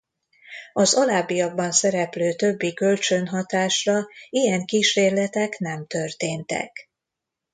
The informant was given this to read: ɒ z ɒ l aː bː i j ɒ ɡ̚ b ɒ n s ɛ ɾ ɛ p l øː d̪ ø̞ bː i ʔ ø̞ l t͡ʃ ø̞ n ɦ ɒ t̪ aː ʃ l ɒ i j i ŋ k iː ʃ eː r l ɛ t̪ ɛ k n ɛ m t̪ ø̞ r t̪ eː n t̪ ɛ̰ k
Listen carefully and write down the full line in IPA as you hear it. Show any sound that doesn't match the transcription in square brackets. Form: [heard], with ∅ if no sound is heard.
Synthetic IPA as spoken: ɒ z ɒ l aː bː i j ɒ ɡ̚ b ɒ n s ɛ ɾ ɛ p l øː [t̪] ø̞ bː i [k] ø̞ l t͡ʃ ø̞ n ɦ ɒ t̪ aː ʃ [r] ɒ i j [ɛ] ŋ k iː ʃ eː r l ɛ t̪ ɛ k n ɛ m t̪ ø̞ r t̪ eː n t̪ ɛ̰ k